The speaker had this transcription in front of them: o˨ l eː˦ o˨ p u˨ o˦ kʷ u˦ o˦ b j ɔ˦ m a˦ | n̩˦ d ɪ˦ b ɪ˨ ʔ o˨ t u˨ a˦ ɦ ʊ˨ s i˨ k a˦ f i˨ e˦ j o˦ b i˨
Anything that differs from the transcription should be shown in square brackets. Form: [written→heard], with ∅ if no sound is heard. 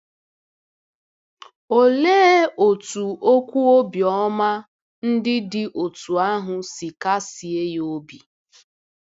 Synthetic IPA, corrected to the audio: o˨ l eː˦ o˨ [p→t] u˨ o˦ kʷ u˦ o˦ b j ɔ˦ m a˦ | n̩˦ d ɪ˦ [b→d] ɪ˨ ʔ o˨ t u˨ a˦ ɦ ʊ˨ s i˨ k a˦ [f→s] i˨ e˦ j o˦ b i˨